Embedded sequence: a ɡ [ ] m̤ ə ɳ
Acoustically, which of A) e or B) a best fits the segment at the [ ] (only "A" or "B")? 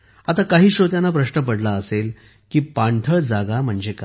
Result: B